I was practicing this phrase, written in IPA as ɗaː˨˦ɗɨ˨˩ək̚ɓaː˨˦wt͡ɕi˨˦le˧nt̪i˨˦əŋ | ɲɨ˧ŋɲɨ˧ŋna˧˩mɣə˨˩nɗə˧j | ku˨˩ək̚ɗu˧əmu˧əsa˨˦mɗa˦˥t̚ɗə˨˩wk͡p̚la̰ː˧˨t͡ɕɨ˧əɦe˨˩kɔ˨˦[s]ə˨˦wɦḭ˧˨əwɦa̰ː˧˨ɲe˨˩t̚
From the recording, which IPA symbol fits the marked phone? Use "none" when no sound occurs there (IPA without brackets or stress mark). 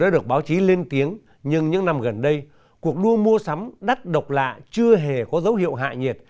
z